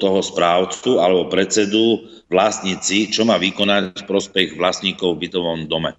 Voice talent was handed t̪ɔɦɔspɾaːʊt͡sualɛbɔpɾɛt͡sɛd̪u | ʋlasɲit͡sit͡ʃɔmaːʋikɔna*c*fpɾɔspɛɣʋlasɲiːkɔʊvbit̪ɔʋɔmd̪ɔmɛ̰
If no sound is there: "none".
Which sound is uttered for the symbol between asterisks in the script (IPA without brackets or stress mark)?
c